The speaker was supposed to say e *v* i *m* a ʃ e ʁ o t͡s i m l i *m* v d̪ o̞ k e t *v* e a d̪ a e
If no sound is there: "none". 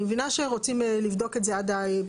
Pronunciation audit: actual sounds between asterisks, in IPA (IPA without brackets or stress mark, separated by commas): v, n, none, z